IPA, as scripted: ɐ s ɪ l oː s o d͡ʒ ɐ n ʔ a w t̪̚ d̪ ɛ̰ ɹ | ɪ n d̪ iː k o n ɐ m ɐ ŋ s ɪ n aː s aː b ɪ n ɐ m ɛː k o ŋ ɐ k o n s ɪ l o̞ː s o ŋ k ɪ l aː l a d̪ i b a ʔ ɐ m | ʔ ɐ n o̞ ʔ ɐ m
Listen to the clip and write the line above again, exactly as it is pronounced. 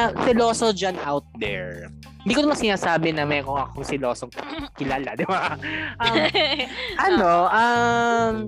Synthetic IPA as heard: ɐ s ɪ l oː s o d͡ʒ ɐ n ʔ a w t̪̚ d̪ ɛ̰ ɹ | ɪ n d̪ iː k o n ɐ m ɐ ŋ s ɪ n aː s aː b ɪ n ɐ m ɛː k o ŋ ɐ k o ŋ s ɪ l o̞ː s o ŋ k ɪ l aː l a d̪ ɪ b a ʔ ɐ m | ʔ ɐ n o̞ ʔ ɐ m